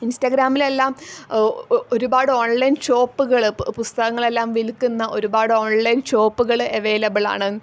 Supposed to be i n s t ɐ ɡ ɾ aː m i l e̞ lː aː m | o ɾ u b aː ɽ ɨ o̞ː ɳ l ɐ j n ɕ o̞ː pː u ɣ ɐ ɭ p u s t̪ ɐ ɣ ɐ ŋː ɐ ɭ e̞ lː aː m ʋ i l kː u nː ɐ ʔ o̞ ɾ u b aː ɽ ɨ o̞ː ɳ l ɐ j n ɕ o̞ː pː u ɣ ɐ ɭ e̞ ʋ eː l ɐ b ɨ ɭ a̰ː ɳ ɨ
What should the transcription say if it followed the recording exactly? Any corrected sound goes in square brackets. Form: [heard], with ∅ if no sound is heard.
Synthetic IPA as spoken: i n s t ɐ ɡ ɾ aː m i l e̞ lː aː m | o ɾ u b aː ɽ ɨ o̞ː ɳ l ɐ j n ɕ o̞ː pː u ɣ ɐ ɭ p u s t̪ ɐ ɣ ɐ ŋː ɐ ɭ e̞ lː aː m ʋ i l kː u nː ɐ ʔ o̞ ɾ u b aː ɽ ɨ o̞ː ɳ l ɐ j n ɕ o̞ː pː u ɣ ɐ ɭ e̞ ʋ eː l ɐ b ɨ ɭ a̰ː ɳ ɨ